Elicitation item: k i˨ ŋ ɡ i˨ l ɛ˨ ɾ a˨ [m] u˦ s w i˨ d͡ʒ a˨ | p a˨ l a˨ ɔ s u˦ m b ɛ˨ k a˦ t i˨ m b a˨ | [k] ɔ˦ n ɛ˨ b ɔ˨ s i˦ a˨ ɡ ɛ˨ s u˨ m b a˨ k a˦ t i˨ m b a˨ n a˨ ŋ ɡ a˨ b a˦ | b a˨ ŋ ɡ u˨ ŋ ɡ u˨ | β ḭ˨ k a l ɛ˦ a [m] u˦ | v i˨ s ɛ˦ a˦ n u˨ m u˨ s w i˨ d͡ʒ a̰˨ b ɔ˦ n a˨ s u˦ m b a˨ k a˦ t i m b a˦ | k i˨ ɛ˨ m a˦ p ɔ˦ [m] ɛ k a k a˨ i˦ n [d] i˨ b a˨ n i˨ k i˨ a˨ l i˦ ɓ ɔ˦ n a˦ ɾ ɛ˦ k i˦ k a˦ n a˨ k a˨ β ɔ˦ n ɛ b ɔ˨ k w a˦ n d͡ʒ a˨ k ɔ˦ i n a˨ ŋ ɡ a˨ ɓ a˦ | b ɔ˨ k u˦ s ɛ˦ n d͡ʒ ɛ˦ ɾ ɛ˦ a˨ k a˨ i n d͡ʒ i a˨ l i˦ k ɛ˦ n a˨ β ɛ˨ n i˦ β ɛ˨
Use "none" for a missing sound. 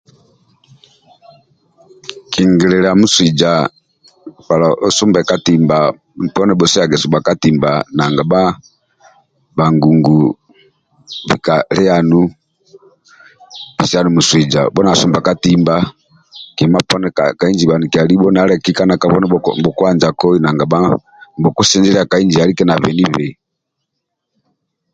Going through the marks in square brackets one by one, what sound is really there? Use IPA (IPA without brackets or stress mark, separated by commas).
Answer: m, p, n, n, d͡ʒ